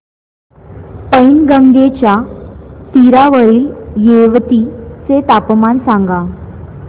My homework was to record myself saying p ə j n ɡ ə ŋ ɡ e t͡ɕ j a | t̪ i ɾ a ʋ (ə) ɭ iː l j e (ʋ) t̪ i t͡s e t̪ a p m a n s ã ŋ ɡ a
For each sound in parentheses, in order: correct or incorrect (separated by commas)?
correct, correct